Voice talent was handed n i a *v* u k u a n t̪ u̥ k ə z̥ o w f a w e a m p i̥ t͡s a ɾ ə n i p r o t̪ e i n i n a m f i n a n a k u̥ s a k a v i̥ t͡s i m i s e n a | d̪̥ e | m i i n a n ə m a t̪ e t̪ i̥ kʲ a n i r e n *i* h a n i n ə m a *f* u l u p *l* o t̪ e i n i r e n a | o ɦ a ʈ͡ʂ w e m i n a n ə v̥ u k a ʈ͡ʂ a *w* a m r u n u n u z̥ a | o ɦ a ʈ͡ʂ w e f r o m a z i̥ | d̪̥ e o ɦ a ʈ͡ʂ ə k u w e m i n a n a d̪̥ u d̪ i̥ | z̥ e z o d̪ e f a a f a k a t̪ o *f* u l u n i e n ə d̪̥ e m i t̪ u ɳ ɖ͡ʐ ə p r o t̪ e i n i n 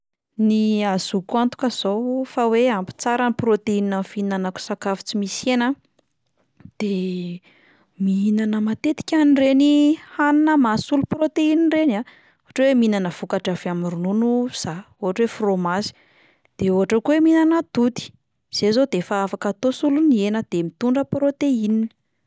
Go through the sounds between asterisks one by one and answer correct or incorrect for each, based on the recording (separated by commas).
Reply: incorrect, correct, incorrect, incorrect, incorrect, incorrect